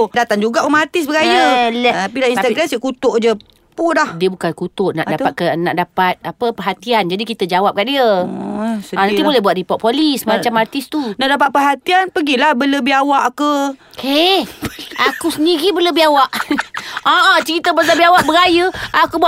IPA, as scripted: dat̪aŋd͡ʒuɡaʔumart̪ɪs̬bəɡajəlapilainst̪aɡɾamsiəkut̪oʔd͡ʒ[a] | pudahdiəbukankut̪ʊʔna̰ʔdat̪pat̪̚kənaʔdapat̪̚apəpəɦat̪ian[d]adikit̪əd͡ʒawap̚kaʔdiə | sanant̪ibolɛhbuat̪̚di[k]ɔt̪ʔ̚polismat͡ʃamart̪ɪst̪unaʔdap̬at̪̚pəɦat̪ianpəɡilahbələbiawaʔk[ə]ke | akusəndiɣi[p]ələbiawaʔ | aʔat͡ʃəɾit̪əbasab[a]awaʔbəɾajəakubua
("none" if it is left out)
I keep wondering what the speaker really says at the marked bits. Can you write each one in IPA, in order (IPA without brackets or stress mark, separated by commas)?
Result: ə, d͡ʒ, p, ə, b, i